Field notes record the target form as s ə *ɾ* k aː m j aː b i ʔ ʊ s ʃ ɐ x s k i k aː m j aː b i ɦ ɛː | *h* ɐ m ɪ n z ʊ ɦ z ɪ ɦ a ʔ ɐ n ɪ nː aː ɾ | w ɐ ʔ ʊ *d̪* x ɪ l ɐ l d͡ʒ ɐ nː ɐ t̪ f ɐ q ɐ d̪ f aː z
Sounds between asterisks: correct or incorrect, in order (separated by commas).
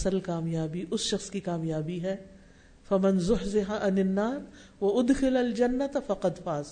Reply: incorrect, incorrect, correct